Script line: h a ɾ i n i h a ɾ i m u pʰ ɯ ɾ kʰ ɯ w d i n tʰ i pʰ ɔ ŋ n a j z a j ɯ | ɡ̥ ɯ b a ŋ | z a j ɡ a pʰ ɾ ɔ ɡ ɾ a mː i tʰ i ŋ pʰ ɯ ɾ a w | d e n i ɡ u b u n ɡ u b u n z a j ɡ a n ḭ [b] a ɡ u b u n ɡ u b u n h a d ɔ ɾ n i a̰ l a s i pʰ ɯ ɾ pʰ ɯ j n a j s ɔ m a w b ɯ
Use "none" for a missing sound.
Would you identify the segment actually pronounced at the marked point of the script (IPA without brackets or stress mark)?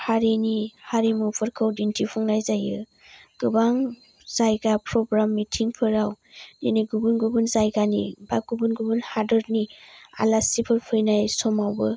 b